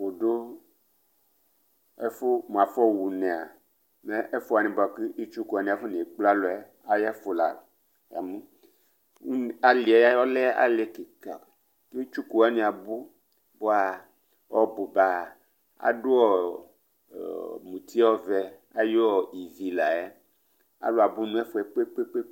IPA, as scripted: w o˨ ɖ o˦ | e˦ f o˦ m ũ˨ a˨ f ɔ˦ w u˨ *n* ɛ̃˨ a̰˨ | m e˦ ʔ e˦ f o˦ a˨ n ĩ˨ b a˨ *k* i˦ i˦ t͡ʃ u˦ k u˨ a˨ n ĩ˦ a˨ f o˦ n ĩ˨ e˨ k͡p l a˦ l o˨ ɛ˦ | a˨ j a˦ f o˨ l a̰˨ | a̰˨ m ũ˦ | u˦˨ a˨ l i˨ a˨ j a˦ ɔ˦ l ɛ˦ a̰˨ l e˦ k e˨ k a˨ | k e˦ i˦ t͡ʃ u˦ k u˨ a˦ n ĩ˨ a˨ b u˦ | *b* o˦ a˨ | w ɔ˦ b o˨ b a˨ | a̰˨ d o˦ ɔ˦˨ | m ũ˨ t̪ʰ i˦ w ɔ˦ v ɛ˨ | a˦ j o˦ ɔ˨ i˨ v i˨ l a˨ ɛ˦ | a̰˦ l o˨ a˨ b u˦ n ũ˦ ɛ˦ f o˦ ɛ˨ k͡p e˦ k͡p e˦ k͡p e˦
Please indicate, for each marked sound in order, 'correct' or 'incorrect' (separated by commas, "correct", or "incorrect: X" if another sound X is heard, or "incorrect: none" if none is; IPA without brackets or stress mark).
correct, correct, correct